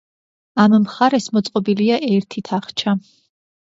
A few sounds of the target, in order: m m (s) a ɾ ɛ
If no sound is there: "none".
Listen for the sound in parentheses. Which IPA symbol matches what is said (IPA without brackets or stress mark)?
χ